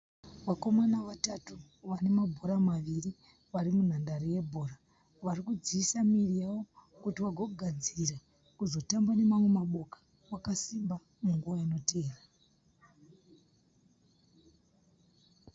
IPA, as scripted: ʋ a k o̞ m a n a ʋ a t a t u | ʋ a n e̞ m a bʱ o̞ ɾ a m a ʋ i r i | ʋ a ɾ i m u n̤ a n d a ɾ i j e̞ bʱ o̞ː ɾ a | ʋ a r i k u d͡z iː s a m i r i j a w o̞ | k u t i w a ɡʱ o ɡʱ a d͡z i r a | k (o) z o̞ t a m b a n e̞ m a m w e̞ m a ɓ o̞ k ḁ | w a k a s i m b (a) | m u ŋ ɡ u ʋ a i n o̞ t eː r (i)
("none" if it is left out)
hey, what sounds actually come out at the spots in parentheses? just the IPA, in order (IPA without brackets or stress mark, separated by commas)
u, a, a